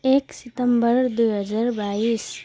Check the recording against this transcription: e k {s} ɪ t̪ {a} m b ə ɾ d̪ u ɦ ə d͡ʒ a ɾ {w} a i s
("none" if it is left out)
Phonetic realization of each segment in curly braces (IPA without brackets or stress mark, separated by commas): s, ə, b